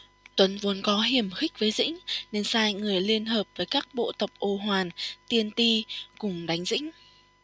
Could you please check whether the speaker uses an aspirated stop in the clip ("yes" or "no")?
no